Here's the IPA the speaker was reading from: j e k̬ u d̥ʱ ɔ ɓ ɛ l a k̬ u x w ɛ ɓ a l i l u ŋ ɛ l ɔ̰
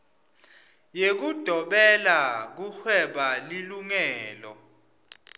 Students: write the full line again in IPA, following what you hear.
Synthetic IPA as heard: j e k̬ u d̥ʱ ɔ ɓ ɛ l a k̬ u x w ɛ ɓ a l i l u ŋ ɛː l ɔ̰